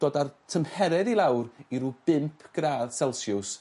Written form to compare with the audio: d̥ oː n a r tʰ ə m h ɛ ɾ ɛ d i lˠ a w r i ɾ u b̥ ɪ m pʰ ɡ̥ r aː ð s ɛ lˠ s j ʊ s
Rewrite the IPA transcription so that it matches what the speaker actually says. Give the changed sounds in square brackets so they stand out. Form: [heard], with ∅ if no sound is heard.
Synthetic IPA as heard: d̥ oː [d] a r tʰ ə m h ɛ ɾ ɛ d i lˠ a w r i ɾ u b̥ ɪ m pʰ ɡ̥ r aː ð s ɛ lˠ s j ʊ s